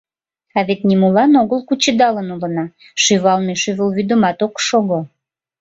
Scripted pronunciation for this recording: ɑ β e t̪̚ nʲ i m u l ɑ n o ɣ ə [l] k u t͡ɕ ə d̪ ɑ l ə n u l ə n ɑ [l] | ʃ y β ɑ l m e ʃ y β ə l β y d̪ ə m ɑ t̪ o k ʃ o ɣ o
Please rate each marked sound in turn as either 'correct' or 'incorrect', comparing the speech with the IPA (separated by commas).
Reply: correct, incorrect